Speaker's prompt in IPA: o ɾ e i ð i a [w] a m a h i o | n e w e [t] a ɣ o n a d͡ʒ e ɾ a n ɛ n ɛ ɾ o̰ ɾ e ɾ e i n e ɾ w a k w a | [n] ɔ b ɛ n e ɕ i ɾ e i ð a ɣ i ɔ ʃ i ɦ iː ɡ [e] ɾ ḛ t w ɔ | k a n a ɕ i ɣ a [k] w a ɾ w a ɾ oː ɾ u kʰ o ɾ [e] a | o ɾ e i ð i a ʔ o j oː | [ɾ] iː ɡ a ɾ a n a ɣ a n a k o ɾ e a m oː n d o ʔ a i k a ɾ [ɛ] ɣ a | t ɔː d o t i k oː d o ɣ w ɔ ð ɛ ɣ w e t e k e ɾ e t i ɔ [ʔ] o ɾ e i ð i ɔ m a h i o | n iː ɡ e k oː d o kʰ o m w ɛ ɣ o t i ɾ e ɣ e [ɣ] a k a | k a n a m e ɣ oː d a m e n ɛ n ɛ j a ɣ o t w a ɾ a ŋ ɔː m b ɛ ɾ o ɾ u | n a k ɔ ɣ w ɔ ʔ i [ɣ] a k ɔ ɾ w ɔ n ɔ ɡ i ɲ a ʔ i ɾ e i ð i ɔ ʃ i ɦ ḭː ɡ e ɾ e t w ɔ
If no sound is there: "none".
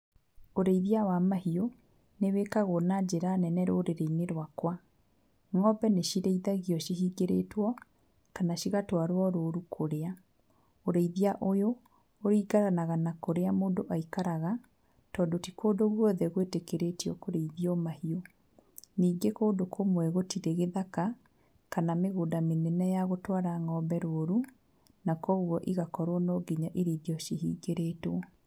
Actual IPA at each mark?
w, k, ŋ, e, t, e, ɾ, a, k, ð, ɣ

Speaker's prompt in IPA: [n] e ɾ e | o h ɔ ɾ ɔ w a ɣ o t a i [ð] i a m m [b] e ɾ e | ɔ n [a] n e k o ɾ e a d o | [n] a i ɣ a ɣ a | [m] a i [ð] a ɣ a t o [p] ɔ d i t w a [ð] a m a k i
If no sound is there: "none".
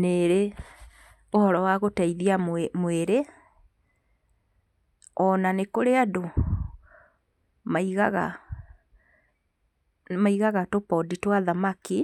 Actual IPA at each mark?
n, ð, w, a, m, m, ɣ, p, ð

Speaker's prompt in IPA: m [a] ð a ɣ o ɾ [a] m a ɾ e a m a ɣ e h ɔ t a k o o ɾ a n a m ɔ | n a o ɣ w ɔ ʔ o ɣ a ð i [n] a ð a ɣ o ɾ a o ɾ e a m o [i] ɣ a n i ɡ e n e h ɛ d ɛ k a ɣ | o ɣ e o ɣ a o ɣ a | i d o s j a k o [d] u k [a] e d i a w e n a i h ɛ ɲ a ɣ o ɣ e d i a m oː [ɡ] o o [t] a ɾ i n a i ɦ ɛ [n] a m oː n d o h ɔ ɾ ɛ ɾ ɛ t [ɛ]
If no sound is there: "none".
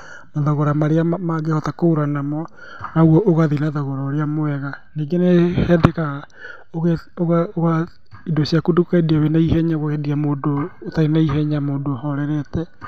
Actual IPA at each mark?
a, a, n, ɛ, d, a, d, t, ɲ, ɛ

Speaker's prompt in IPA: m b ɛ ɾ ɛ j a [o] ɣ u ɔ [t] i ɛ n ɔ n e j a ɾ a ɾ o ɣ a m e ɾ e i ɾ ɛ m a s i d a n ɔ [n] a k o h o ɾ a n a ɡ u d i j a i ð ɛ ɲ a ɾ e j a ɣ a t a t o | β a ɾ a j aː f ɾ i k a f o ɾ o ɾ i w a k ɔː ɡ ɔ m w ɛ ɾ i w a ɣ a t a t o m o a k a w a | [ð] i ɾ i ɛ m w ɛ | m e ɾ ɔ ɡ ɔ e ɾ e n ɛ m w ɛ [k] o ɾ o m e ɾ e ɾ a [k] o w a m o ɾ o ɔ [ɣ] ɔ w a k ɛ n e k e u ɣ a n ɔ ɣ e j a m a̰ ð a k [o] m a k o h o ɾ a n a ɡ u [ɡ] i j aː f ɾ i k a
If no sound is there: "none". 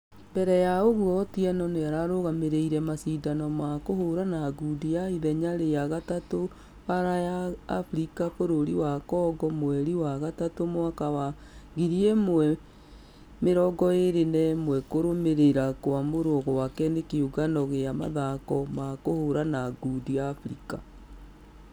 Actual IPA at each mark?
o, t, m, ɣ, k, k, ɣ, ɔ, d

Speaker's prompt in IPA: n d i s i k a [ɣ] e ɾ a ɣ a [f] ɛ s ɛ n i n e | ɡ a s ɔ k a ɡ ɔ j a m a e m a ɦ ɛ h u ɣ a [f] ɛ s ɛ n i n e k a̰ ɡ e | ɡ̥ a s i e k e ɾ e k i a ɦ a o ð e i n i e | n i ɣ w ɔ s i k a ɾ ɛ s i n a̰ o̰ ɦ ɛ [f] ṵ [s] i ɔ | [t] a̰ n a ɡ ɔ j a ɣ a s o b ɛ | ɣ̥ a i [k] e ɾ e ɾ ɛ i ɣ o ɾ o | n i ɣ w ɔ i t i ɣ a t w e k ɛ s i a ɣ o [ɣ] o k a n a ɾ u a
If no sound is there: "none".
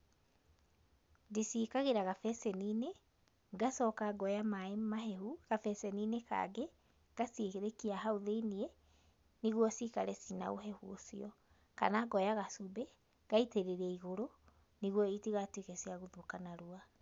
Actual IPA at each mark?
ɣ, f, f, h, s, k, t, ð

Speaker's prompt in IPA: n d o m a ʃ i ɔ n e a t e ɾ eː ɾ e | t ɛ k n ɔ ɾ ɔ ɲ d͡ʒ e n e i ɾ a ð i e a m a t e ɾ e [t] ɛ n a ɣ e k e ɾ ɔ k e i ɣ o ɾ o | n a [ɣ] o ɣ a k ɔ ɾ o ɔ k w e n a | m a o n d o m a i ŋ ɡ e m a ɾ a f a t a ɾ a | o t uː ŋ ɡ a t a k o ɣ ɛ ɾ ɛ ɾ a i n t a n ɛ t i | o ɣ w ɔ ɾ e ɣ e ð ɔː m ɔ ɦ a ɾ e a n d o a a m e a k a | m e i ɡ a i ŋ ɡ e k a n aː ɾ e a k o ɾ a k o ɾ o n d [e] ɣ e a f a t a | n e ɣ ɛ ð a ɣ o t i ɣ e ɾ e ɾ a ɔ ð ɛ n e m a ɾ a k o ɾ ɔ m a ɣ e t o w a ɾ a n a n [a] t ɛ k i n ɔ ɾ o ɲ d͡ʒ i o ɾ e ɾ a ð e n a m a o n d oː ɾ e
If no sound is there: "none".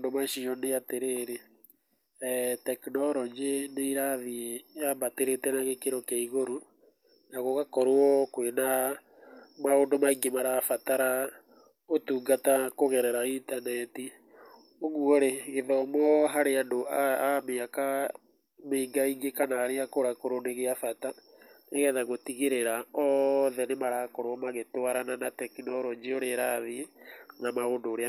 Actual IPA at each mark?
t, ɣ, e, a

